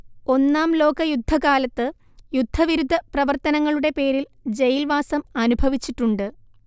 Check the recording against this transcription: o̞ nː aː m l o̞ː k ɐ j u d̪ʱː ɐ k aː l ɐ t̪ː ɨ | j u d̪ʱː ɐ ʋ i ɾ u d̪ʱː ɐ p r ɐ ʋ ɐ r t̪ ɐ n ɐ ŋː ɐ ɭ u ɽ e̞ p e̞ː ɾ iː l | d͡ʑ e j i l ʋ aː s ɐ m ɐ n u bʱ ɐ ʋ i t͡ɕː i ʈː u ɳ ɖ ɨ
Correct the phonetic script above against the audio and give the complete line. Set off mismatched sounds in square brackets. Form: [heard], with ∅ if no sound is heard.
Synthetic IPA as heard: o̞ nː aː m l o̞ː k ɐ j u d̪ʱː ɐ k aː l ɐ t̪ː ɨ | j u d̪ʱː ɐ ʋ i ɾ u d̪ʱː ɐ p r ɐ ʋ ɐ r t̪ ɐ n ɐ ŋː ɐ ɭ u ɽ e̞ p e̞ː ɾ [i] l | d͡ʑ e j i l ʋ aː s ɐ m ɐ n u bʱ ɐ ʋ i t͡ɕː i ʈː u ɳ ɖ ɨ

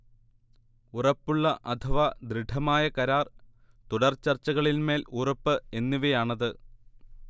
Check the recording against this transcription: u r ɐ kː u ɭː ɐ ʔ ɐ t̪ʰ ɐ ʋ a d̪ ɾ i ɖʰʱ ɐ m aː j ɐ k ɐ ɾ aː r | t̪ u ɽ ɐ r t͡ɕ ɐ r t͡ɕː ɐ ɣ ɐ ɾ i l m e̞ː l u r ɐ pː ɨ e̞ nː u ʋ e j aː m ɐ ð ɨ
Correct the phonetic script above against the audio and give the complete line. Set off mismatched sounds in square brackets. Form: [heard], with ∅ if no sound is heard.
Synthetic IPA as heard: u r ɐ [pː] u ɭː ɐ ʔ ɐ t̪ʰ ɐ ʋ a d̪ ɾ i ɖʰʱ ɐ m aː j ɐ k ɐ ɾ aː r | t̪ u ɽ ɐ r t͡ɕ ɐ r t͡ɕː ɐ ɣ ɐ [ɭ] i l m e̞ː l u r ɐ pː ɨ e̞ nː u ʋ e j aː [ɳ] ɐ ð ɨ

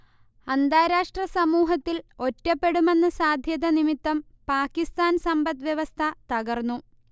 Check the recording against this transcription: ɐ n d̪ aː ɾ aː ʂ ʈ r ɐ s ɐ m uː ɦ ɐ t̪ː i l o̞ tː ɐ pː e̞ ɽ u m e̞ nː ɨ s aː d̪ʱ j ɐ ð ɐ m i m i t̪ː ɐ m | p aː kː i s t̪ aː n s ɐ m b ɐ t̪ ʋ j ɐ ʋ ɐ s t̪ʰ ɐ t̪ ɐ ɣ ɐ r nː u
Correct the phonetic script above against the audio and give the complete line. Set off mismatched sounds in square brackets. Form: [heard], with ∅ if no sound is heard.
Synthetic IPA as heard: ɐ n d̪ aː ɾ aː ʂ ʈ r ɐ s ɐ m uː ɦ ɐ t̪ː i l o̞ tː ɐ pː e̞ ɽ u m e̞ nː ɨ s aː d̪ʱ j ɐ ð ɐ [n] i m i t̪ː ɐ m | p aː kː i s t̪ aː n s ɐ m b ɐ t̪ ʋ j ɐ ʋ ɐ s t̪ʰ ɐ t̪ ɐ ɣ ɐ r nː u

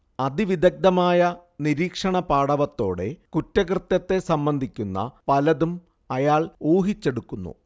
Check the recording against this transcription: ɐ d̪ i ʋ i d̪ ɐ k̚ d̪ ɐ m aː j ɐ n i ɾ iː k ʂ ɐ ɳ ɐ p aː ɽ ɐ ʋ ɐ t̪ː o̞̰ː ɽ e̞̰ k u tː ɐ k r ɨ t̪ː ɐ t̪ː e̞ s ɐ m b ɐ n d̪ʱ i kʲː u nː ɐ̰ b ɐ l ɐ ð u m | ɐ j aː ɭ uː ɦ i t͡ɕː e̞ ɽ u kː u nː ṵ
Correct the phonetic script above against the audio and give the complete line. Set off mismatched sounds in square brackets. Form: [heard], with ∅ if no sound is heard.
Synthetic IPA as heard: ɐ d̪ i ʋ i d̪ ɐ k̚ d̪ ɐ m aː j ɐ n i ɾ iː k ʂ ɐ ɳ ɐ p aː ɽ ɐ ʋ ɐ t̪ː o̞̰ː ɽ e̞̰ k u tː ɐ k r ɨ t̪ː ɐ t̪ː e̞ s ɐ m b ɐ n d̪ʱ i kʲː u nː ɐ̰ [p] ɐ l ɐ ð u m | ɐ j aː ɭ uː ɦ i t͡ɕː e̞ ɽ u kː u nː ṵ

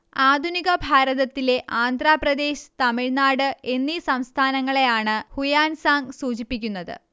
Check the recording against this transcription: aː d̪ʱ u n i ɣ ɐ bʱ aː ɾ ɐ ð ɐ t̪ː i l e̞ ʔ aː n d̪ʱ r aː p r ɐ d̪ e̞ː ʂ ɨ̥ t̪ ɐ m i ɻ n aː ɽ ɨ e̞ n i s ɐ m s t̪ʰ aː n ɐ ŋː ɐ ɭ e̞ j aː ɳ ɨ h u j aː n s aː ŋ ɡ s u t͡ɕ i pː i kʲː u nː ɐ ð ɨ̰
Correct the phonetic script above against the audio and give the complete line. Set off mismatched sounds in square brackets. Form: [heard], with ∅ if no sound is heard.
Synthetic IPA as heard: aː d̪ʱ u n i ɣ ɐ bʱ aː ɾ ɐ ð ɐ t̪ː i l e̞ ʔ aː n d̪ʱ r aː p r ɐ d̪ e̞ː [ɕ] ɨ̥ t̪ ɐ m i ɻ n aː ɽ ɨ e̞ [nː] i s ɐ m s t̪ʰ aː n ɐ ŋː ɐ ɭ e̞ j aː ɳ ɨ h u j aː n s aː ŋ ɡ s [uː] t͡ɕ i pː i kʲː u nː ɐ ð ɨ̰

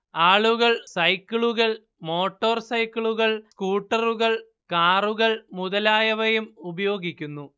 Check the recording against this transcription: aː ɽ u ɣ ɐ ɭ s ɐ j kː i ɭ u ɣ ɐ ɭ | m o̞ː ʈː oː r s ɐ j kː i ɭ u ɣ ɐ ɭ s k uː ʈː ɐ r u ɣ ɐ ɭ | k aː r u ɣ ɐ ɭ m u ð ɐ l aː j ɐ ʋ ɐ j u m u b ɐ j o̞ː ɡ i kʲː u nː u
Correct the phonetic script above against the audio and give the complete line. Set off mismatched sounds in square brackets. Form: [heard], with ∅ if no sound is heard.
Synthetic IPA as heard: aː [ɭ] u ɣ ɐ ɭ s ɐ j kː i ɭ u ɣ ɐ ɭ | m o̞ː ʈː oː r s ɐ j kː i ɭ u ɣ ɐ ɭ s k uː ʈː ɐ r u ɣ ɐ ɭ | k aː r u ɣ ɐ ɭ m u ð ɐ l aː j ɐ ʋ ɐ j u m u b ɐ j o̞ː ɡ i kʲː u nː u

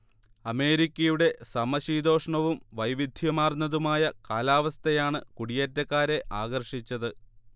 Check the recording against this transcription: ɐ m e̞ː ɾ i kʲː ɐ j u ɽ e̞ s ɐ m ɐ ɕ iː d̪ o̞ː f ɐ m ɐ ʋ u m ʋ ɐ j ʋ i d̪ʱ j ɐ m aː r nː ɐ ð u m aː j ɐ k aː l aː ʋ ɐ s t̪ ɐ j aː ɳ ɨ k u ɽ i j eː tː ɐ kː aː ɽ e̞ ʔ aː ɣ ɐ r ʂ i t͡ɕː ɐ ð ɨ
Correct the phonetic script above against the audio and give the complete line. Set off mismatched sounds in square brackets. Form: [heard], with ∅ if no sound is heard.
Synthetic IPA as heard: ɐ m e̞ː ɾ i kʲː ɐ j u ɽ e̞ s ɐ m ɐ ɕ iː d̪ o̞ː [ʂ] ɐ [ɳ] ɐ ʋ u m ʋ ɐ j ʋ i d̪ʱ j ɐ m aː r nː ɐ ð u m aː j ɐ k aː l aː ʋ ɐ s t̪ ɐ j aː ɳ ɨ k u ɽ i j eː tː ɐ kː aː [ɾ] e̞ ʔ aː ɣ ɐ r ʂ i t͡ɕː ɐ ð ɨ

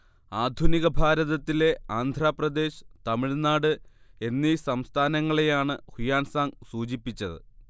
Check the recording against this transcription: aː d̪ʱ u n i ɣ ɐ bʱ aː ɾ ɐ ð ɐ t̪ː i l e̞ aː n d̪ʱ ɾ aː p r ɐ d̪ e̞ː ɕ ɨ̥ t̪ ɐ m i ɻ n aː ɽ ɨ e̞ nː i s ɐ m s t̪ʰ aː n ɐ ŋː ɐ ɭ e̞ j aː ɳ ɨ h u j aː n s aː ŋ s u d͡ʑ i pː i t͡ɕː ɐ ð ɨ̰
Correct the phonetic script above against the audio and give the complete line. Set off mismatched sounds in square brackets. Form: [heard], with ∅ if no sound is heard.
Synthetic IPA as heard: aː d̪ʱ u n i ɣ ɐ bʱ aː ɾ ɐ ð ɐ t̪ː i l e̞ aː n d̪ʱ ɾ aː p r ɐ d̪ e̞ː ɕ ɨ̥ t̪ ɐ m i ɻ n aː ɽ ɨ e̞ nː i s ɐ m s t̪ʰ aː n ɐ ŋː ɐ ɭ e̞ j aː ɳ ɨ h u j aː n s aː ŋ s [uː] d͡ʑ i pː i t͡ɕː ɐ ð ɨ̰

